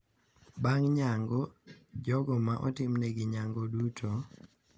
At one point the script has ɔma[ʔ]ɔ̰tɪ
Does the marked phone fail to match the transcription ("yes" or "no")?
no